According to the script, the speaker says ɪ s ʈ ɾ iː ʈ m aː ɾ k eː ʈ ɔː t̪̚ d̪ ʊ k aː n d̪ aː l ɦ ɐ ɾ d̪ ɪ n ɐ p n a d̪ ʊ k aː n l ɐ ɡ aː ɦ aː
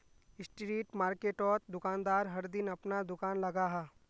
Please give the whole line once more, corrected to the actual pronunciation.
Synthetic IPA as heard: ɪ s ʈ ɾ iː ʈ m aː ɾ k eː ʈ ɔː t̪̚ d̪ ʊ k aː n d̪ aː ɾ ɦ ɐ ɾ d̪ ɪ n ɐ p n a d̪ ʊ k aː n l ɐ ɡ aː ɦ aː

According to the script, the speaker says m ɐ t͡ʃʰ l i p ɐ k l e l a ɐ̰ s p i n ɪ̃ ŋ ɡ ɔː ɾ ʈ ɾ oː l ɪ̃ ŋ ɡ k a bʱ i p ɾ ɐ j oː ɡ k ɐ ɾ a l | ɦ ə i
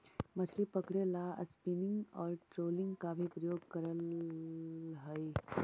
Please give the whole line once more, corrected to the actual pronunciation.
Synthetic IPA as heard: m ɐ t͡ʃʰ l i p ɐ k ɽ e l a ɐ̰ s p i n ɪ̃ ŋ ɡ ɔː ɾ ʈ ɾ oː l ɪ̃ ŋ ɡ k a bʱ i p ɾ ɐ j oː ɡ k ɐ ɾ ə l | ɦ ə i

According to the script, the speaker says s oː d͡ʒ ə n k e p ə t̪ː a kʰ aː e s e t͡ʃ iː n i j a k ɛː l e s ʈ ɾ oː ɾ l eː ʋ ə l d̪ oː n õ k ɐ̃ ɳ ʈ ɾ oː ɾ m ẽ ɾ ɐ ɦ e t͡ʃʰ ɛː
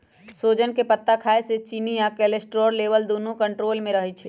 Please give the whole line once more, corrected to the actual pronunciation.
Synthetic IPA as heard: s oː d͡ʒ ə n k e p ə t̪ː a kʰ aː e s e t͡ʃ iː n i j a k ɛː l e s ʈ ɾ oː ɾ l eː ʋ ə l d̪ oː n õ k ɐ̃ ɳ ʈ ɾ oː l m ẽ ɾ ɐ ɦ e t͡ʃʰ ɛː

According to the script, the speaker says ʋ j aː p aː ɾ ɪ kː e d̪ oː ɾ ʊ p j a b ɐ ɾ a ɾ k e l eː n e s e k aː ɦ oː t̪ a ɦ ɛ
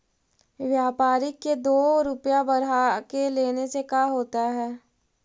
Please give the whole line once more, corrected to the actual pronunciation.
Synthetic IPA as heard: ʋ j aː p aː ɾ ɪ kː e d̪ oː ɾ ʊ p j a b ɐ ɾ a k e l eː n e s e k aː ɦ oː t̪ a ɦ ɛː

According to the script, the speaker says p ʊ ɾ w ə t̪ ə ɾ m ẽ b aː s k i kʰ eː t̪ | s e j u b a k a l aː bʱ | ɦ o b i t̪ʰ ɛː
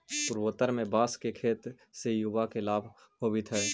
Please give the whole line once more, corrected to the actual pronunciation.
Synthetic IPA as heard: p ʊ ɾ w ə t̪ ə ɾ m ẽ b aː s k e kʰ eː t̪ | s e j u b a k e l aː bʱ | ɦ o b i t̪ʰ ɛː

